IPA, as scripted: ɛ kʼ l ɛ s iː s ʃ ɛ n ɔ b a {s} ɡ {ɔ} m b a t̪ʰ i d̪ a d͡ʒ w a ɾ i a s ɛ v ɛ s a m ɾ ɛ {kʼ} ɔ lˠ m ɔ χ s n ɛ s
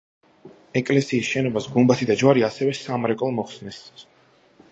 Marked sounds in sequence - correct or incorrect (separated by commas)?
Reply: correct, incorrect, correct